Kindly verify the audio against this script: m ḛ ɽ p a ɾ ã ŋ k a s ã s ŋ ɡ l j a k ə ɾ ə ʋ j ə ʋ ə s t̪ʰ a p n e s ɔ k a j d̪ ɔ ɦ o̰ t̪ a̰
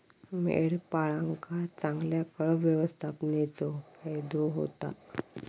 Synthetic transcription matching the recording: m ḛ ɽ p a ɭ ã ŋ k a t͡s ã ŋ ɡ l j a k ə ɭ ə ʋ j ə ʋ ə s t̪ʰ a p n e t͡s ɔ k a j d̪ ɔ ɦ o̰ t̪ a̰